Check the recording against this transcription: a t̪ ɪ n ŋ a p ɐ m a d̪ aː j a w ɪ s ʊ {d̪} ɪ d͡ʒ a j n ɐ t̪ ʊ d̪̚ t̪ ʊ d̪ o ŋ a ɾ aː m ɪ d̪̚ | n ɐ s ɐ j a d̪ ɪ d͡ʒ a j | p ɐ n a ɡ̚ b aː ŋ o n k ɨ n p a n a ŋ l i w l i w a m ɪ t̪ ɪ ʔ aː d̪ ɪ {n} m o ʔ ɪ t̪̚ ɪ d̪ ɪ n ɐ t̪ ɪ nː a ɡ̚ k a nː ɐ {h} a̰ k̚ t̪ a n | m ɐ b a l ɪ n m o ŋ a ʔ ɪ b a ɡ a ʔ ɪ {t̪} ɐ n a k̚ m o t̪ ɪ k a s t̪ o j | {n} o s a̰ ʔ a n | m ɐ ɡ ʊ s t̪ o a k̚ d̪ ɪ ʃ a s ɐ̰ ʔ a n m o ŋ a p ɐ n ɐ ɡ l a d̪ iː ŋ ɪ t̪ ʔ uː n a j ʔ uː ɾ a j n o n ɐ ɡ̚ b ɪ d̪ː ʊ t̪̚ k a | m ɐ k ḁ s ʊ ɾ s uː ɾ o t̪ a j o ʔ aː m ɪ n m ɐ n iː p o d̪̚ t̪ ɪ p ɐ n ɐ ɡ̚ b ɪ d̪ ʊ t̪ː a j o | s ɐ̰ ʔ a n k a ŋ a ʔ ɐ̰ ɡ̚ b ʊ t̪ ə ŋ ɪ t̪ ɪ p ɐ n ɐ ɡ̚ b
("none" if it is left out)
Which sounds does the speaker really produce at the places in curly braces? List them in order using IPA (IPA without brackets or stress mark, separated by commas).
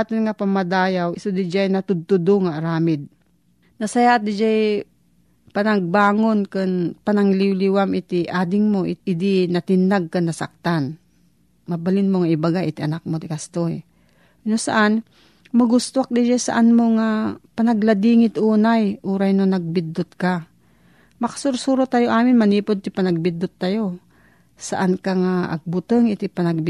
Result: d̪, ŋ, s, t̪, n